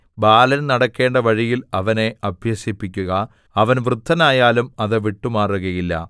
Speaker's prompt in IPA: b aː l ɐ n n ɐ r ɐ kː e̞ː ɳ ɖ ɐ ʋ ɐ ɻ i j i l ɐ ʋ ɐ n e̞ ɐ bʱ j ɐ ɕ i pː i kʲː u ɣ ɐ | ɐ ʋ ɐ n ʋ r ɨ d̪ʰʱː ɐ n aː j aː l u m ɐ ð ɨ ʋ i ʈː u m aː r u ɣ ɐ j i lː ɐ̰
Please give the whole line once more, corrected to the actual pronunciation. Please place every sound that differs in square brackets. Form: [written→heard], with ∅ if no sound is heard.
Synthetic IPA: b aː l ɐ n n ɐ [r→ɽ] ɐ kː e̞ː ɳ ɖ ɐ ʋ ɐ ɻ i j i l ɐ ʋ ɐ n e̞ ɐ bʱ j ɐ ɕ i pː i kʲː u ɣ ɐ | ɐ ʋ ɐ n ʋ r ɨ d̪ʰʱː ɐ n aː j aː l u m ɐ ð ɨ ʋ i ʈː u m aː r u ɣ ɐ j i lː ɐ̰

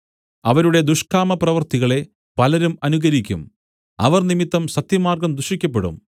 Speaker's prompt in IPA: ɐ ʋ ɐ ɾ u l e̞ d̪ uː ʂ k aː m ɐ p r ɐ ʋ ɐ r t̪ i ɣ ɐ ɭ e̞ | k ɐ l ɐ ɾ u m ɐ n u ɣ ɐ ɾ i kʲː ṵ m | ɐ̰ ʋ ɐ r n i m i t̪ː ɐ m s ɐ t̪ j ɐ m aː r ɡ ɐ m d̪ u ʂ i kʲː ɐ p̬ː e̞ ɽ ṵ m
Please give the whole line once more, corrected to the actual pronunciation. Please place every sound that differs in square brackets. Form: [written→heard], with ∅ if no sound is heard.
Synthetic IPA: ɐ ʋ ɐ ɾ u [l→ɽ] e̞ d̪ [uː→u] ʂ k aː m ɐ p r ɐ ʋ ɐ r t̪ i ɣ ɐ ɭ e̞ | [k→p] ɐ l ɐ ɾ u m ɐ n u ɣ ɐ ɾ i kʲː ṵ m | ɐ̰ ʋ ɐ r n i m i t̪ː ɐ m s ɐ t̪ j ɐ m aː r ɡ ɐ m d̪ u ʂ i kʲː ɐ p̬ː e̞ ɽ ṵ m

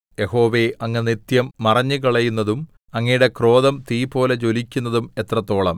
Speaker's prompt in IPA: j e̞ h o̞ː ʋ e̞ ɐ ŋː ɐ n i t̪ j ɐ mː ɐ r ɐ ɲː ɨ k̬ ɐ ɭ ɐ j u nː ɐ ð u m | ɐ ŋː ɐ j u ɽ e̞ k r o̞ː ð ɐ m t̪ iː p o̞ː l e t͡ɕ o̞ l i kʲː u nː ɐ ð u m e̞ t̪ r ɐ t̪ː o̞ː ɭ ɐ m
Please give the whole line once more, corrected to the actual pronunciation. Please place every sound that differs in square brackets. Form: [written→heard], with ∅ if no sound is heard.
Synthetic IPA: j e̞ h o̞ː ʋ e̞ ɐ ŋː ɐ n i t̪ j ɐ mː ɐ r ɐ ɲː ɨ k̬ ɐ ɭ ɐ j u nː ɐ ð u m | ɐ ŋː ɐ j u ɽ e̞ k r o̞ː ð ɐ m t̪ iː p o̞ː l e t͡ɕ o̞ l i kʲː u nː ɐ ð u m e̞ t̪ r ɐ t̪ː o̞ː ɭ ɐ m

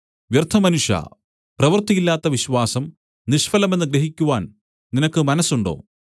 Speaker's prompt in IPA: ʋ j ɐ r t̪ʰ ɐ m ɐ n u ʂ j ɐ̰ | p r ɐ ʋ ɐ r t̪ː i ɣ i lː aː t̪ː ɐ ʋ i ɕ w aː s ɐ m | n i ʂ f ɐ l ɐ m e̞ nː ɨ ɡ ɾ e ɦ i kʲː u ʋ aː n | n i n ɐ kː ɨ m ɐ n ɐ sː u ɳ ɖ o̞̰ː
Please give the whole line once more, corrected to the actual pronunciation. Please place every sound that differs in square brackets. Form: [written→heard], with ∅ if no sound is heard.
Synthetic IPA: ʋ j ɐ r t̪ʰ ɐ m ɐ n u ʂ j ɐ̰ | p r ɐ ʋ ɐ r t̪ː i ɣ i lː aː t̪ː ɐ ʋ i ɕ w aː s ɐ m | n i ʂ f ɐ l ɐ m e̞ nː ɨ ɡ ɾ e ɦ i kʲː u ʋ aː n | n i n ɐ kː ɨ m ɐ n ɐ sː u ɳ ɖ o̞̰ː

